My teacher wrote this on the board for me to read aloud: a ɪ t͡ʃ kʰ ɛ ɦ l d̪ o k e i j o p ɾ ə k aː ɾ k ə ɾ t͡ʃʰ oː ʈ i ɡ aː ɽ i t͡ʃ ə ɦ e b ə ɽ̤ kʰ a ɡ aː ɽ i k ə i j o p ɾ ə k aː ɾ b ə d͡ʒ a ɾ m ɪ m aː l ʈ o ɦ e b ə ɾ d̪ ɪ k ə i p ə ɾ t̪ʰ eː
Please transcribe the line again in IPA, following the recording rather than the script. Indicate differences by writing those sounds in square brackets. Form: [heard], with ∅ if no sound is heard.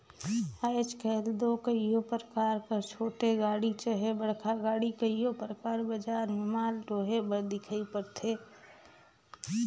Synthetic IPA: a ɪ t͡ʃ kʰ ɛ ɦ l d̪ o k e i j o p ɾ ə k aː ɾ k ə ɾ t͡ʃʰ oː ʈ [e] ɡ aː ɽ i t͡ʃ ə ɦ e b ə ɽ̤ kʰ a ɡ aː ɽ i k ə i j o p ɾ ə k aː ɾ b ə d͡ʒ a ɾ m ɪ m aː l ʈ o ɦ e b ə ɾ d̪ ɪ [kʰ] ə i p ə ɾ t̪ʰ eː